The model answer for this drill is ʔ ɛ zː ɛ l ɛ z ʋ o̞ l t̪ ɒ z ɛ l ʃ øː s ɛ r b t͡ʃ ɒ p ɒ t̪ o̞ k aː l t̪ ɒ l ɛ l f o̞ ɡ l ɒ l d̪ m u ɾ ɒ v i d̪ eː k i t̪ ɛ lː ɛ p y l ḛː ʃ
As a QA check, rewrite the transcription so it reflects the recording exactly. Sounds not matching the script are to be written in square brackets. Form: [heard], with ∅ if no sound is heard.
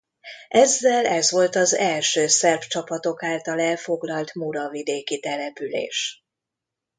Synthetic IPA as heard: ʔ ɛ zː ɛ l ɛ z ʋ o̞ l t̪ ɒ z ɛ l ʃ øː s ɛ r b t͡ʃ ɒ p ɒ t̪ o̞ k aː l t̪ ɒ l ɛ l f o̞ ɡ l ɒ l [t̪] m u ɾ ɒ v i d̪ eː k i t̪ ɛ [l] ɛ p y l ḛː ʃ